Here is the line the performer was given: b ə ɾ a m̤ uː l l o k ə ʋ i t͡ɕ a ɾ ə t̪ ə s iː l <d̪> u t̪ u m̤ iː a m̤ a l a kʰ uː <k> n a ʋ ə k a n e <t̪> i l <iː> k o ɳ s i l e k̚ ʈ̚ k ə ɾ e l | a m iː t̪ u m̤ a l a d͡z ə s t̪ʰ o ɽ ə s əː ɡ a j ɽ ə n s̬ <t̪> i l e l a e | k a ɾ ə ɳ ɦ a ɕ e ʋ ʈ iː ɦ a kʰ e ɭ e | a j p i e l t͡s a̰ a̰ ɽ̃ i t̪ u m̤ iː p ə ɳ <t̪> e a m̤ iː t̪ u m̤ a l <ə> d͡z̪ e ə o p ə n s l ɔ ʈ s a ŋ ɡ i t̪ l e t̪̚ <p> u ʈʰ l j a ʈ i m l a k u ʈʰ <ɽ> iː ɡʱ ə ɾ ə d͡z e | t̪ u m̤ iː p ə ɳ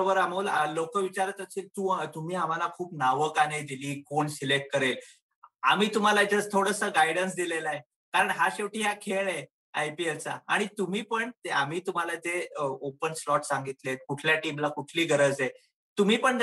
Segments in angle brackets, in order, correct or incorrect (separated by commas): incorrect, incorrect, incorrect, correct, incorrect, correct, incorrect, incorrect, incorrect